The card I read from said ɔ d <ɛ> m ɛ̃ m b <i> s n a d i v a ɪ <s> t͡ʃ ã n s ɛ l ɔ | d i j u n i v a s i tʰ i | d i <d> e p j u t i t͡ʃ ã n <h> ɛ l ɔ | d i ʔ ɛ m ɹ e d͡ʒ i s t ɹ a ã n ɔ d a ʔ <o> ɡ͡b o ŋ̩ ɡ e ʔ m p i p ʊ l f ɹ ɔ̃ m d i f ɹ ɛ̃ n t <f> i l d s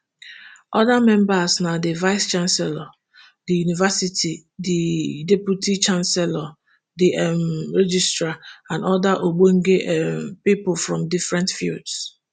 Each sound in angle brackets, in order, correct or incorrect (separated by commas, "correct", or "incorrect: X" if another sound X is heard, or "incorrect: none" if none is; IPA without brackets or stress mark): incorrect: a, incorrect: a, correct, correct, incorrect: s, correct, correct